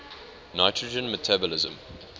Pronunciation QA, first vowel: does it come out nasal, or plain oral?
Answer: oral